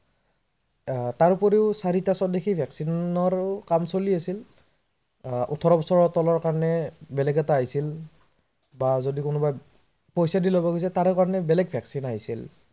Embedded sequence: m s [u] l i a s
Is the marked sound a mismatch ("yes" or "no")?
yes